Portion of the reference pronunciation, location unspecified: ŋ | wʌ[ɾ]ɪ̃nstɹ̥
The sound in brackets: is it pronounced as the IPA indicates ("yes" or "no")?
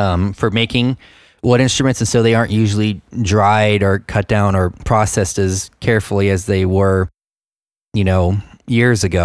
yes